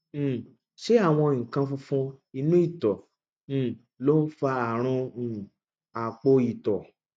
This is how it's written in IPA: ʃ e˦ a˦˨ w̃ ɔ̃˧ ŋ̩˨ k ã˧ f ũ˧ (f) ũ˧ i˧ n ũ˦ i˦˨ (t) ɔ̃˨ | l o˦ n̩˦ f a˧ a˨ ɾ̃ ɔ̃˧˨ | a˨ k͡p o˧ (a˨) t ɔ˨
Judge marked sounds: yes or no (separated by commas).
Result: yes, yes, no